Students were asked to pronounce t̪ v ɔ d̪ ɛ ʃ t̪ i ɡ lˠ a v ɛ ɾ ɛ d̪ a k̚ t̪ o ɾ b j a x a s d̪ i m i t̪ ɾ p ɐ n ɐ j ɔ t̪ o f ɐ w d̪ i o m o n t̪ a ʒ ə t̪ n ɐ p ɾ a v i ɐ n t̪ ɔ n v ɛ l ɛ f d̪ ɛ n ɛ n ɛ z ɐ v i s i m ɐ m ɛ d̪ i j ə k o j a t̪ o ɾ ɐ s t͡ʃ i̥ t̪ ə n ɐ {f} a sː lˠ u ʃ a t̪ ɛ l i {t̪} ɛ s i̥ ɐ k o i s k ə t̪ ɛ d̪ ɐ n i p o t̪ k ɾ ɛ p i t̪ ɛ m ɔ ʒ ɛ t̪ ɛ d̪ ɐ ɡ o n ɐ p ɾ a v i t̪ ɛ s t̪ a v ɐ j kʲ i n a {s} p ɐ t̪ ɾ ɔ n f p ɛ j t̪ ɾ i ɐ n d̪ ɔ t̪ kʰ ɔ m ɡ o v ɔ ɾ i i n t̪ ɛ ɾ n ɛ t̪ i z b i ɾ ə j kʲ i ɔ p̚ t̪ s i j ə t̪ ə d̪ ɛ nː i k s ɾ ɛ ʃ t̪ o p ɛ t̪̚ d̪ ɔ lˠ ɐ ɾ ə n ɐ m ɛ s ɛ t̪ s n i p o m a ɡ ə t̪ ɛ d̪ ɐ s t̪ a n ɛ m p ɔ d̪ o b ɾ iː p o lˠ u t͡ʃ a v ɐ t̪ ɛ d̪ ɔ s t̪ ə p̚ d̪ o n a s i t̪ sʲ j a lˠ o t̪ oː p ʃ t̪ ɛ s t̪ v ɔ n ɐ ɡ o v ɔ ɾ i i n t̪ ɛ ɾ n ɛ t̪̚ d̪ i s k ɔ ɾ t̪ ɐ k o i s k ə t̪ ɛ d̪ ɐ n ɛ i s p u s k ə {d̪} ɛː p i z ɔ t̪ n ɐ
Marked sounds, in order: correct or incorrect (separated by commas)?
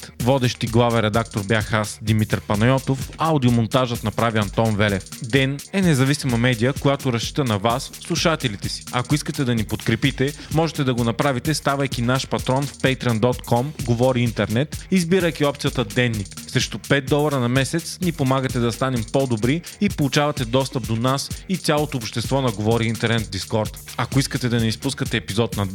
incorrect, correct, incorrect, incorrect